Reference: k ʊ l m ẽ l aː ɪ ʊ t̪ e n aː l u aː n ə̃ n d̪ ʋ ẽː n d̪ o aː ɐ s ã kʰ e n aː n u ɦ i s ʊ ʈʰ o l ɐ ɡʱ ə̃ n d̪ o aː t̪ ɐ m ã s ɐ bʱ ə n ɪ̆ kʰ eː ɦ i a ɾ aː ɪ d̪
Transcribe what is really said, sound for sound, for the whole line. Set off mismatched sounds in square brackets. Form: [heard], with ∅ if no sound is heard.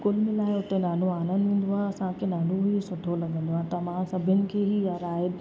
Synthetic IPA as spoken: k ʊ l m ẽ l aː ɪ ʊ t̪ e n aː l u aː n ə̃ n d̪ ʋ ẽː n d̪ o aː ɐ s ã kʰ e n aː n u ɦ i s ʊ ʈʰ o l ɐ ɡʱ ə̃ n d̪ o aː t̪ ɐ m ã s ɐ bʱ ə n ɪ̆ kʰ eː ɦ i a ɾ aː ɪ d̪